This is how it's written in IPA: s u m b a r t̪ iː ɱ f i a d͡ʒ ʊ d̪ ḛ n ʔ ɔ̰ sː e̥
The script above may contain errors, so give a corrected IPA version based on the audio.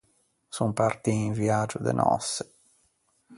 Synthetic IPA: s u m p a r t̪ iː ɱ v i a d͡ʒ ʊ d̪ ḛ n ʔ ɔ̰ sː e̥